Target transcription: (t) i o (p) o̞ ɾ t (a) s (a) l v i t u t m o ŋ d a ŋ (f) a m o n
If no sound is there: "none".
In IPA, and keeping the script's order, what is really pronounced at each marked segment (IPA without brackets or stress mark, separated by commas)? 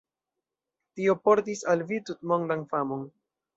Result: t, p, i, a, f